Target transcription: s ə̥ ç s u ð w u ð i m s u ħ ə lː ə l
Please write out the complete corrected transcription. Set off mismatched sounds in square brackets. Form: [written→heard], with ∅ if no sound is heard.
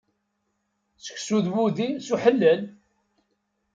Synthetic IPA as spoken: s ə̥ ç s u ð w u ð i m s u ħ ə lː ə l